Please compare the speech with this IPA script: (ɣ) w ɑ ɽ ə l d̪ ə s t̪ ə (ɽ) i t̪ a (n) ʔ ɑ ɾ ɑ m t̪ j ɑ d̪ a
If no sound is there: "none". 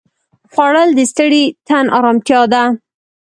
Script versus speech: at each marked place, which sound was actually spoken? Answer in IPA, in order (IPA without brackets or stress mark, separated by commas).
x, ɽ, n